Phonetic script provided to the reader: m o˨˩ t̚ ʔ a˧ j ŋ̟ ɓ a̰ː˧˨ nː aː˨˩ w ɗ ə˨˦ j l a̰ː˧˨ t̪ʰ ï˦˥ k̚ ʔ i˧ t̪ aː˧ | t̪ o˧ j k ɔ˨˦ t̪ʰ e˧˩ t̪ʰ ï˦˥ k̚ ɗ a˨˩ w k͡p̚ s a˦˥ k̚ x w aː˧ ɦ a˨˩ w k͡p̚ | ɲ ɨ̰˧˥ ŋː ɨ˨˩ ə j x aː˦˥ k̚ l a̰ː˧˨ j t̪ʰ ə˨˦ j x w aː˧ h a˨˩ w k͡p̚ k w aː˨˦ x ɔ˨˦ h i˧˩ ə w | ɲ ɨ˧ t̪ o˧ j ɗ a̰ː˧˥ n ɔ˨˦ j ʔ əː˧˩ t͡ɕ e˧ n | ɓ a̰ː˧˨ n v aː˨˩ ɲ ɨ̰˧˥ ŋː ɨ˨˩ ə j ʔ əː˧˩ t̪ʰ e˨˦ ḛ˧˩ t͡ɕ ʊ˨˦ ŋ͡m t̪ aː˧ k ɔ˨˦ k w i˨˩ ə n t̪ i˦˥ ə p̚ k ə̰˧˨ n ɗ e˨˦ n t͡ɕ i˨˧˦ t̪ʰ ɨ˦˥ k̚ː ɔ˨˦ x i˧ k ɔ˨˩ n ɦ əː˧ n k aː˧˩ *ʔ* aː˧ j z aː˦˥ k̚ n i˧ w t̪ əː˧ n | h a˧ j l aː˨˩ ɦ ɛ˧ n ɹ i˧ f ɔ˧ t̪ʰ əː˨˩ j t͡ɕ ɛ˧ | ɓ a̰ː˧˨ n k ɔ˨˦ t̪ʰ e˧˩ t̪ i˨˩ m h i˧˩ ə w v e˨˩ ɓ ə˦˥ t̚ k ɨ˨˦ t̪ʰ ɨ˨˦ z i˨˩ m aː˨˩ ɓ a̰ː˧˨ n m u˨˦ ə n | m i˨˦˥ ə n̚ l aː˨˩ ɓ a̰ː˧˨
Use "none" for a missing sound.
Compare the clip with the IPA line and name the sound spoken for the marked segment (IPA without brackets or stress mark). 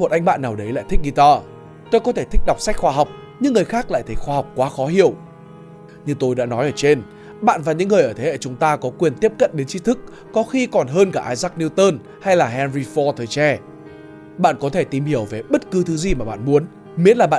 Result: ʔ